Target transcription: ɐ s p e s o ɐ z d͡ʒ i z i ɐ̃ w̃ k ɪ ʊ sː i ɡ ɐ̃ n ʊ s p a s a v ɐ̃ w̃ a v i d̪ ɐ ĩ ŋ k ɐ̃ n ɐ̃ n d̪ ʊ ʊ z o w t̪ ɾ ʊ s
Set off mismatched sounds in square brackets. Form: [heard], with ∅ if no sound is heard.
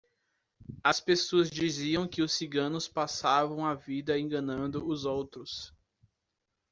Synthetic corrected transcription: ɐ s p e s o ɐ z d͡ʒ i z i ɐ̃ w̃ k ɪ ʊ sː i ɡ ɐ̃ n ʊ s p a s a v ɐ̃ w̃ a v i d̪ ɐ [ẽ] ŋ [ɡ] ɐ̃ n ɐ̃ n d̪ ʊ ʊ z o w t̪ ɾ ʊ s